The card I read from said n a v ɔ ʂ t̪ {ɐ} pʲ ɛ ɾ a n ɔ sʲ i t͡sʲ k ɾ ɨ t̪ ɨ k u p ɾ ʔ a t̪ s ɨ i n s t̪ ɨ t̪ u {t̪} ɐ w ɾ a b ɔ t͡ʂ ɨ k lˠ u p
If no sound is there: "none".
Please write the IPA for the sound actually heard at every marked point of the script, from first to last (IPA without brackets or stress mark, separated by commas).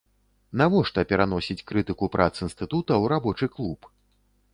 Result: ɐ, t̪